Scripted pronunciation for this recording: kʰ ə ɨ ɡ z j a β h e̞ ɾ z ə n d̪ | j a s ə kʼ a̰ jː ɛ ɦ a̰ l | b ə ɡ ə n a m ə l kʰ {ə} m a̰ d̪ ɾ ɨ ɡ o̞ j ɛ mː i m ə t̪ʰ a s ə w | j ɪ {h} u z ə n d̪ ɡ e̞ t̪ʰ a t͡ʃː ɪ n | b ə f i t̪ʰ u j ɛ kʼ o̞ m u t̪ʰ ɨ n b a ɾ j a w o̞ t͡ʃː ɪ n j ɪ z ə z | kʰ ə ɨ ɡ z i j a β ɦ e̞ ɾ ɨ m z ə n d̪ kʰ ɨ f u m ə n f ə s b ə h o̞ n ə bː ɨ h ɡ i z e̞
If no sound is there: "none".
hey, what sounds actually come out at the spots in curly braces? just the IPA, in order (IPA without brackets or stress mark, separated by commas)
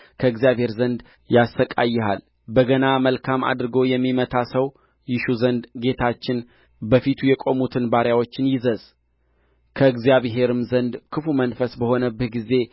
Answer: a, ʃ